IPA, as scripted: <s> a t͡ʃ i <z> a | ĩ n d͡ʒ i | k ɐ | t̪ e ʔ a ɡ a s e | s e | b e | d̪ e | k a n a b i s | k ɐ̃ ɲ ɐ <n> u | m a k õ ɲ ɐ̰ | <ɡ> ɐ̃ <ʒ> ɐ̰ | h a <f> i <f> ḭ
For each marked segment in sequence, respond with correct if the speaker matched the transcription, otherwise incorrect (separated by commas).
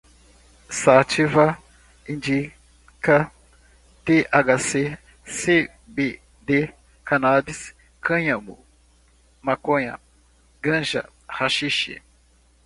correct, incorrect, incorrect, correct, correct, incorrect, incorrect